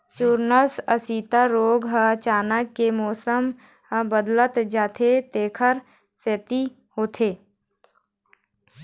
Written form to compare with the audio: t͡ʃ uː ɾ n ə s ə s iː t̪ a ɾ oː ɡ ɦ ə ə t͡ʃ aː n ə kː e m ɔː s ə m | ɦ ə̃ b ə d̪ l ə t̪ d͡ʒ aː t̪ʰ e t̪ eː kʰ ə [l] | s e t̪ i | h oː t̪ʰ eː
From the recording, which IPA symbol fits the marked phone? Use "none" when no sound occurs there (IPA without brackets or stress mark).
ɾ